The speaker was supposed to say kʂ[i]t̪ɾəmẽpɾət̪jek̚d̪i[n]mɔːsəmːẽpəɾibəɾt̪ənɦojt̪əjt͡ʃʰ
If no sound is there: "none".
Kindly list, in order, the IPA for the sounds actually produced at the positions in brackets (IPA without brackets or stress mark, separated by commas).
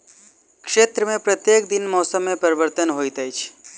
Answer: e, n